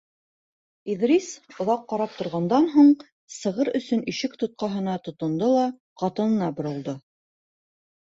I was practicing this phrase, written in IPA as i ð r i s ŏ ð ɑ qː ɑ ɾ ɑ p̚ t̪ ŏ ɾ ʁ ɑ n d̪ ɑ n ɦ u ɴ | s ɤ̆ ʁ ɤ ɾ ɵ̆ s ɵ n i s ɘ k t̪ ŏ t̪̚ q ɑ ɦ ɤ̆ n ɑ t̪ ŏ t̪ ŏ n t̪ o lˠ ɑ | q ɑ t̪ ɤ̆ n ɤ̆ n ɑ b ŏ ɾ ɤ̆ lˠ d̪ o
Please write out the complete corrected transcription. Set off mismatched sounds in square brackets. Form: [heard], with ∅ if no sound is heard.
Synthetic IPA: i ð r i s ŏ ð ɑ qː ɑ ɾ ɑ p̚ t̪ ŏ ɾ ʁ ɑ n d̪ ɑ n ɦ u ɴ | s ɤ̆ ʁ ɤ ɾ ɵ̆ s ɵ n i [ʃ] ɘ k t̪ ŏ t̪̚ q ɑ ɦ ɤ̆ n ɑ t̪ ŏ t̪ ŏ n [d̪] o lˠ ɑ | q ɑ t̪ ɤ̆ n ɤ̆ n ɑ b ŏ ɾ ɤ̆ lˠ d̪ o